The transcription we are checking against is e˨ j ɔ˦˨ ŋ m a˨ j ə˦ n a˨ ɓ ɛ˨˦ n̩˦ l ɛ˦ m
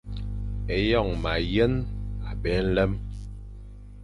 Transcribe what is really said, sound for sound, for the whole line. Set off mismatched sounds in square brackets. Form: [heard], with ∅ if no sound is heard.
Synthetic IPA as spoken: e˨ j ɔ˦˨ ŋ m a˨ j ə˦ n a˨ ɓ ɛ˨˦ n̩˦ l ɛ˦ m